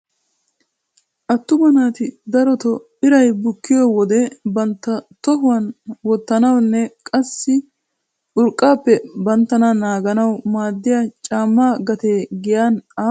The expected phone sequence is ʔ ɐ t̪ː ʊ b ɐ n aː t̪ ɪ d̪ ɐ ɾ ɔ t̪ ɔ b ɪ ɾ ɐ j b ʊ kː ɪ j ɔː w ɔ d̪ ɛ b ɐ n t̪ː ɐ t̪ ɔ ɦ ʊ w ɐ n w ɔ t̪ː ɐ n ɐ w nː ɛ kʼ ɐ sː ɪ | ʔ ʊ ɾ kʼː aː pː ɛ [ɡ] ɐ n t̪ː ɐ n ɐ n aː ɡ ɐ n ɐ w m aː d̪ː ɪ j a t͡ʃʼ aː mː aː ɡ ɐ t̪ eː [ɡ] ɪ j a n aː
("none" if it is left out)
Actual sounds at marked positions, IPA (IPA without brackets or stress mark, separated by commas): b, ɡ